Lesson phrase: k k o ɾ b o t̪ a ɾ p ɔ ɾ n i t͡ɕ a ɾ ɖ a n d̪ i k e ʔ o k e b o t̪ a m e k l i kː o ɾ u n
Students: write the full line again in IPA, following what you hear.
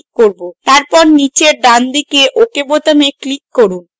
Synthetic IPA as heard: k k o ɾ b o t̪ a ɾ p ɔ ɾ n i t͡ɕ e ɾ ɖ a n d̪ i k e ʔ o k e b o t̪ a m e k l i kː o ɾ u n